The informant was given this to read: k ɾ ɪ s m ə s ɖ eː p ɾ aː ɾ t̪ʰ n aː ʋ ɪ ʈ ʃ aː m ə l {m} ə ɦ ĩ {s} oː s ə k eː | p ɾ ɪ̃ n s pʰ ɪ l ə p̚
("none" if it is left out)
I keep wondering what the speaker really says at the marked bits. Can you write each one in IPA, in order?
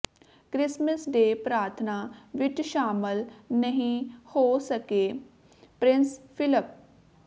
n, h

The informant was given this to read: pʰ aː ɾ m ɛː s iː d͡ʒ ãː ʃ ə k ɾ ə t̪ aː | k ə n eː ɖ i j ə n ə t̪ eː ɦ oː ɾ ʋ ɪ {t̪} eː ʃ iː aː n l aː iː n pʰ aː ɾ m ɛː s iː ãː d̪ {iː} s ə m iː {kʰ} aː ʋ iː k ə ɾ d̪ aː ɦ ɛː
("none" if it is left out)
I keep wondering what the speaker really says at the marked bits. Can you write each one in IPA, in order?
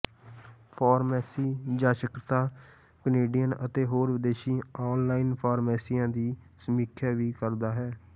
d̪, iː, kʰ

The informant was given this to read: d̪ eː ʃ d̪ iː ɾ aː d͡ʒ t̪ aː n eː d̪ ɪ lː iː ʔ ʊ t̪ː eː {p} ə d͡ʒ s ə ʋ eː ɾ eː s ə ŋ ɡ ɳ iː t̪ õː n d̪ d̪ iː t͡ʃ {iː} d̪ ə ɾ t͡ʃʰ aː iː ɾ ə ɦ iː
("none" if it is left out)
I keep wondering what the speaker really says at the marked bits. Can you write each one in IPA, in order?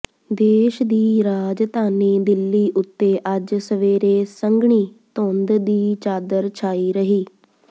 ʔ, aː

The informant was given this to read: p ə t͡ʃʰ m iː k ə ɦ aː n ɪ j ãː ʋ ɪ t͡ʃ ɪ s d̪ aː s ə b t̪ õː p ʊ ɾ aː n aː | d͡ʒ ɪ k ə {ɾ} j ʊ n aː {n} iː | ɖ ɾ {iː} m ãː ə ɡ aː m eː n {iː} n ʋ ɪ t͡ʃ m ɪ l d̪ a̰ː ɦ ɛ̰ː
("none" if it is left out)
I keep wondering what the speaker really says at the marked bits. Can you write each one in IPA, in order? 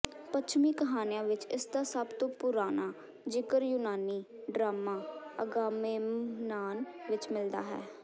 ɾ, n, aː, aː

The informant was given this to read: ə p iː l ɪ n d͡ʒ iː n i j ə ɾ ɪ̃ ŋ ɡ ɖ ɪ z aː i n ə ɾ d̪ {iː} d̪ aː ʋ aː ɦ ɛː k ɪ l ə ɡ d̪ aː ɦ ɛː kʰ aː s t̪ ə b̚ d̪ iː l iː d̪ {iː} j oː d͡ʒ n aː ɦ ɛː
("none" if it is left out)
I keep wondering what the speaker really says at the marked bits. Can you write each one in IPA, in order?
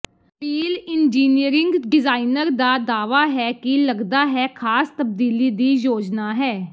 aː, iː

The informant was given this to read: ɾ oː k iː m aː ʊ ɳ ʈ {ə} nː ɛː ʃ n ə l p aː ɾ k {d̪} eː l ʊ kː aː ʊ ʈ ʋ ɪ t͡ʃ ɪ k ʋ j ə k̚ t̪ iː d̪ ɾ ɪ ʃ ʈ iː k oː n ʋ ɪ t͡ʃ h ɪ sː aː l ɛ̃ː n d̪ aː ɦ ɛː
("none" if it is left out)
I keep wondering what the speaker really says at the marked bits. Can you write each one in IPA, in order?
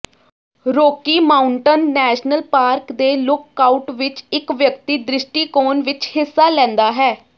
ə, d̪

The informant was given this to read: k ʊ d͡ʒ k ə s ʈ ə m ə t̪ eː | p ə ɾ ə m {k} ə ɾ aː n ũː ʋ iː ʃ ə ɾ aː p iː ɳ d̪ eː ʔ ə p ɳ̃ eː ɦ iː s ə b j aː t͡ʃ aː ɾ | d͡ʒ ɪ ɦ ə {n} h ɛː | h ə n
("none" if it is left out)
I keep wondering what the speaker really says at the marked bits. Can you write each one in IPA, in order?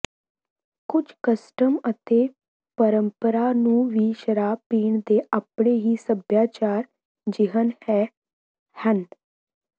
p, n

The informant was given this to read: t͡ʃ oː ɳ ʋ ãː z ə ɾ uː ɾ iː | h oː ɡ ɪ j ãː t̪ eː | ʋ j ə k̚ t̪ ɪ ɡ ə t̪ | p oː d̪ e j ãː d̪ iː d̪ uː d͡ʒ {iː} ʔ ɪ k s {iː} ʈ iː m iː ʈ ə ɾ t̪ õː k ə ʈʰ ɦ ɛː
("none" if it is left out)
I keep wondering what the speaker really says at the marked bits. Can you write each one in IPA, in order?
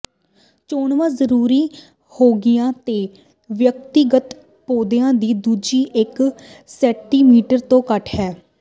iː, ɛː

